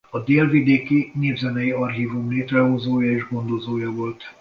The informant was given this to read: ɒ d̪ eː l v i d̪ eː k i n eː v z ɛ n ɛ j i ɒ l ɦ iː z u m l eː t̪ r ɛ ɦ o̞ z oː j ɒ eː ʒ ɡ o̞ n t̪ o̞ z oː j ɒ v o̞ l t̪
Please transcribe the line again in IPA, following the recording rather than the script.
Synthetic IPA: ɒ d̪ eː l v i d̪ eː k i n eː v z ɛ n ɛ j i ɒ r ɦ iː v u m l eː t̪ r ɛ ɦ o̞ z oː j ɒ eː ʒ ɡ o̞ n d̪ o̞ z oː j ɒ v o̞ l t̪